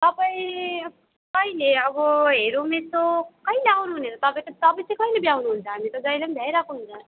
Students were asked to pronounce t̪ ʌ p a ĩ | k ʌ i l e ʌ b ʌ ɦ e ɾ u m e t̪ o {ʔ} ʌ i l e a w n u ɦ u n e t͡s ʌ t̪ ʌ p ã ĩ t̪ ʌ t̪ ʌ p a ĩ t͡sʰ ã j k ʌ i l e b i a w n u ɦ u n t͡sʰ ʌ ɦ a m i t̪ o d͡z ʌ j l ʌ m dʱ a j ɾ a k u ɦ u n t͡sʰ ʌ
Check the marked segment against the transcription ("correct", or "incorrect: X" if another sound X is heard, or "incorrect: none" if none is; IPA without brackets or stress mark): incorrect: k